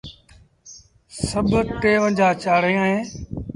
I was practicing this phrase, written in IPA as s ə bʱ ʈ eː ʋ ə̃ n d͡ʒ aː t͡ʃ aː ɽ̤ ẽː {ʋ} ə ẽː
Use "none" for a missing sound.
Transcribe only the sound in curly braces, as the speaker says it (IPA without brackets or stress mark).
none